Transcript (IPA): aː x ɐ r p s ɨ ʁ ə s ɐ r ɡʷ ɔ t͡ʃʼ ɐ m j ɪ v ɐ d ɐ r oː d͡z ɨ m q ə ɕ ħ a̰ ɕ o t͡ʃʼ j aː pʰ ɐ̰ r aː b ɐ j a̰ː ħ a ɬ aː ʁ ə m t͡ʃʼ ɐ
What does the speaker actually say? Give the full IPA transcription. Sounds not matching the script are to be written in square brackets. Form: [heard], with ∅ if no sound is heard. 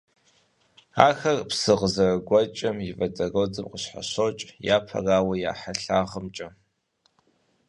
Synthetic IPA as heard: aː x ɐ r p s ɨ ʁ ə [z] ɐ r ɡʷ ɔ t͡ʃʼ ɐ m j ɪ v ɐ d ɐ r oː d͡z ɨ m q ə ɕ ħ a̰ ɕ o t͡ʃʼ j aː pʰ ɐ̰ r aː [w] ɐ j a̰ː ħ a ɬ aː ʁ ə m t͡ʃʼ ɐ